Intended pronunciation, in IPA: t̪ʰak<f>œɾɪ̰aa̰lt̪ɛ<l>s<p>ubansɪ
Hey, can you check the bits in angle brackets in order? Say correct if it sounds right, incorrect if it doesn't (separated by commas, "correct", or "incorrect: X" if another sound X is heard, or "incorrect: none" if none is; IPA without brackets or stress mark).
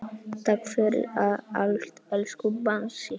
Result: correct, correct, incorrect: k